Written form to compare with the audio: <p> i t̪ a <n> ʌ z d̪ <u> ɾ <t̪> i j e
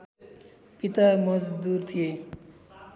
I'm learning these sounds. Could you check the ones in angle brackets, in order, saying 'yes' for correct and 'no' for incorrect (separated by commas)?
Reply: yes, no, yes, no